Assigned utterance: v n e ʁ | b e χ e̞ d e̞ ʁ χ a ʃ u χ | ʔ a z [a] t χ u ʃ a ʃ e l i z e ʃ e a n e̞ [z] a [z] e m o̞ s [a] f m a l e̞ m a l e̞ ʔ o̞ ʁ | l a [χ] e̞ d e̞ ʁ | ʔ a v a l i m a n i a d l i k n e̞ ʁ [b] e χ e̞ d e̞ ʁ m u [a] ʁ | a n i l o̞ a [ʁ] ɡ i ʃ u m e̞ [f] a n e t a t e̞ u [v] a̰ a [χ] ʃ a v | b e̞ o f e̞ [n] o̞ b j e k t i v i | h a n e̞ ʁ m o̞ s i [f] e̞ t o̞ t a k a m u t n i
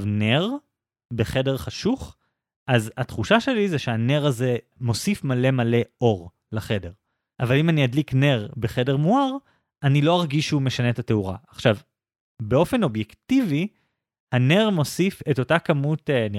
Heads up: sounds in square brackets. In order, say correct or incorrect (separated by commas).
correct, incorrect, correct, incorrect, correct, correct, correct, correct, incorrect, incorrect, correct, correct, correct